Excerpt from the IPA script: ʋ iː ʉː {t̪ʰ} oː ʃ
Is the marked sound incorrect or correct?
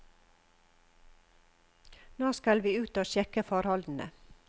incorrect